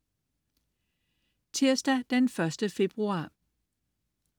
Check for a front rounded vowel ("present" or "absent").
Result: present